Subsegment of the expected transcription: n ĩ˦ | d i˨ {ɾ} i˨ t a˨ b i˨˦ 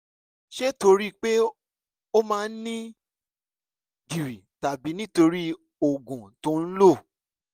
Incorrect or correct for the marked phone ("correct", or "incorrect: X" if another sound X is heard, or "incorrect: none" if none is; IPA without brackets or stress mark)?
correct